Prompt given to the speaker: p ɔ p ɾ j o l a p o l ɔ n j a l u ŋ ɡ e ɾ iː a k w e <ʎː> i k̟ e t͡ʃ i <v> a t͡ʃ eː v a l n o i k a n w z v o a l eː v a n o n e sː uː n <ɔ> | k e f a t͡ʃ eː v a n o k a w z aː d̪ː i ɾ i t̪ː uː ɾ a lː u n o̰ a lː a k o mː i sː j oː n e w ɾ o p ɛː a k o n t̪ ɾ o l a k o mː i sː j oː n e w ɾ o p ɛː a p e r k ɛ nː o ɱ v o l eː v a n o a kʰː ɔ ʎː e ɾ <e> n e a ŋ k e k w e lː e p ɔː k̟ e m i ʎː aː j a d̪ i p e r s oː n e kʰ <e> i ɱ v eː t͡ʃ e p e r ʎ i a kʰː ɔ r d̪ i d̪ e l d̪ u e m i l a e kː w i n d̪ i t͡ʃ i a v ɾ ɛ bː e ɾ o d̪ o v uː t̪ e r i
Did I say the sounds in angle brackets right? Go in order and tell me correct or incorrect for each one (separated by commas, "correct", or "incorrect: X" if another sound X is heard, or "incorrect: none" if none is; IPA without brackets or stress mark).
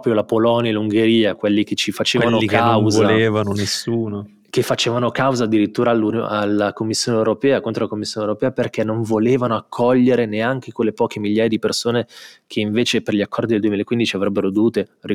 incorrect: lː, incorrect: f, incorrect: o, correct, correct